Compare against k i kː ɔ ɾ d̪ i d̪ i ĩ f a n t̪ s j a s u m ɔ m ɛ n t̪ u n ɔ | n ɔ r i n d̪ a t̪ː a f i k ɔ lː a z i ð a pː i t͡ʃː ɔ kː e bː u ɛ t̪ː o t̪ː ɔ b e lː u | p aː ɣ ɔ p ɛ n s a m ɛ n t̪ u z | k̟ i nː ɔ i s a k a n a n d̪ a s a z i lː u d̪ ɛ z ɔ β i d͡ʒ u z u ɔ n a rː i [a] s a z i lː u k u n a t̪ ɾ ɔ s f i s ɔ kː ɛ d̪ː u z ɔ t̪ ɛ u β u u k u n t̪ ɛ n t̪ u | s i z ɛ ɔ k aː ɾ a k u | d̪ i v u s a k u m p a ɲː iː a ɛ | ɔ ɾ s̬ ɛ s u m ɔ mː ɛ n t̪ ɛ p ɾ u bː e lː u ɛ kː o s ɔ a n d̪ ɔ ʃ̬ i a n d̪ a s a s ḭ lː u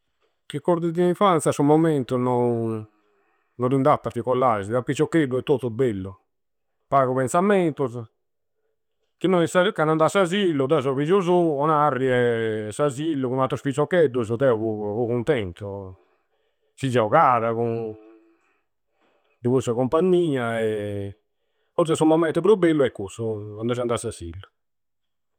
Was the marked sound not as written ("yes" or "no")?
yes